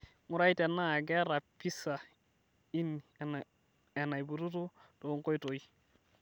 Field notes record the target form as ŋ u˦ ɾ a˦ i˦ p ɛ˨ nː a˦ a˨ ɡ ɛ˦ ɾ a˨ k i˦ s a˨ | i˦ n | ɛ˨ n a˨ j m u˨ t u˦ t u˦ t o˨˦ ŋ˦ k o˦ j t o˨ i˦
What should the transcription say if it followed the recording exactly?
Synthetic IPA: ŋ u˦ ɾ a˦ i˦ t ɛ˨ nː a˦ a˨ ɡ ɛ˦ ɾ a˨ p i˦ s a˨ | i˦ n | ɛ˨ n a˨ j b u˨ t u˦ t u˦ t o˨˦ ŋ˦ k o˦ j t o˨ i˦